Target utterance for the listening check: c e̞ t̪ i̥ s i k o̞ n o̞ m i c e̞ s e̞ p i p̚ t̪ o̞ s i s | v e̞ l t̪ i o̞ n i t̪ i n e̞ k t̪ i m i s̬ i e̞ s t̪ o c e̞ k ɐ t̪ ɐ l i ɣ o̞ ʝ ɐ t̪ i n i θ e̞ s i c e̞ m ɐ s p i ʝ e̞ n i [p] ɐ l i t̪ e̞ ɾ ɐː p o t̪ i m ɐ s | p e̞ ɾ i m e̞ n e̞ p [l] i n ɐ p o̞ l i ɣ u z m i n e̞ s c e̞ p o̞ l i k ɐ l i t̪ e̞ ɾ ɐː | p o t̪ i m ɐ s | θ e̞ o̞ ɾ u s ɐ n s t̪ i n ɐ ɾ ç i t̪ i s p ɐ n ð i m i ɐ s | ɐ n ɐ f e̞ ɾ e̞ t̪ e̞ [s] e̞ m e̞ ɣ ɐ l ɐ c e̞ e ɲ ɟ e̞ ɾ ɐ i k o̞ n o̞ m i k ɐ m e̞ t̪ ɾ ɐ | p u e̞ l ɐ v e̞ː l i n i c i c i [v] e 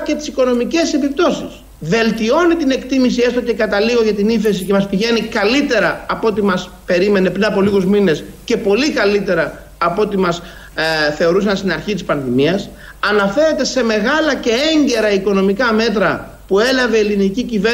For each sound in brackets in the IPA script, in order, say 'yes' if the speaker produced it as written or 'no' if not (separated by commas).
no, no, yes, yes